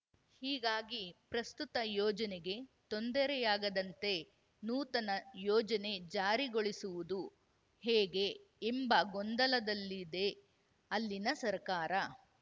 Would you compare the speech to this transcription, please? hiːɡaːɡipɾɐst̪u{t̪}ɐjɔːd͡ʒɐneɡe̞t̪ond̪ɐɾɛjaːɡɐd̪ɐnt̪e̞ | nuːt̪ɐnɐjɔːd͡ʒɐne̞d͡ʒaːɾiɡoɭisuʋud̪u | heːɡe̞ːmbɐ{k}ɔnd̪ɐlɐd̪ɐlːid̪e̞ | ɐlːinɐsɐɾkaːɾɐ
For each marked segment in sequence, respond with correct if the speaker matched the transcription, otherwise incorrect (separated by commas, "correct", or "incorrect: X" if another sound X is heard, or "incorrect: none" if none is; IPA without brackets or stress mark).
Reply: correct, incorrect: ɡ